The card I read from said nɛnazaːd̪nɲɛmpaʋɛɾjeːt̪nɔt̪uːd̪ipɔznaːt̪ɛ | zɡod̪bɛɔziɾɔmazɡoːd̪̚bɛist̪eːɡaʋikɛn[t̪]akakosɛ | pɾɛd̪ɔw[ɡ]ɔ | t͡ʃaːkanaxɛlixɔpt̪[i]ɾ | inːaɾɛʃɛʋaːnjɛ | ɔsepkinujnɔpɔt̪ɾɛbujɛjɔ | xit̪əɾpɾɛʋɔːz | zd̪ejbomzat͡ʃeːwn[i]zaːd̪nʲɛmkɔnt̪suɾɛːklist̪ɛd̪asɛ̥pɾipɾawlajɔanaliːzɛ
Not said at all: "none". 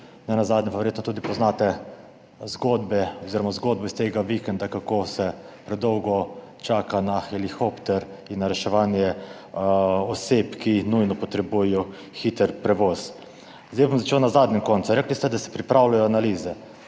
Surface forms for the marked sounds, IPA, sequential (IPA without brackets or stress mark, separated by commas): d̪, ɡ, ɛ, a